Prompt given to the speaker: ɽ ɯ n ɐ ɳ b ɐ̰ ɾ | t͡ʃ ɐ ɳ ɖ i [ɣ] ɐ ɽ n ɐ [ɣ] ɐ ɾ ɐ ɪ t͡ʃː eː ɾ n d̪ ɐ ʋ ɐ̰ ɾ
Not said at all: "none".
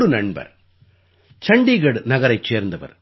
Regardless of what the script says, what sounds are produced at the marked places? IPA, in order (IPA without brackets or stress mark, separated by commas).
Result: ɣ, ɣ